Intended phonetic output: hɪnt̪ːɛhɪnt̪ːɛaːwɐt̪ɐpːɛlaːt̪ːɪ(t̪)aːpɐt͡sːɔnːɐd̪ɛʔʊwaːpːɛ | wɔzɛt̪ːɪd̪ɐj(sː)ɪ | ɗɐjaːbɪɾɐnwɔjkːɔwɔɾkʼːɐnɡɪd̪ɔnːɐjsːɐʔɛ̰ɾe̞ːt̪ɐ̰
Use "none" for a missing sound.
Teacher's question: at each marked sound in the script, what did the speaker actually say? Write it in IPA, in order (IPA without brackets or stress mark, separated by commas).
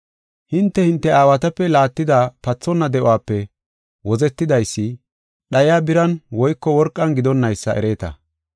d̪, sː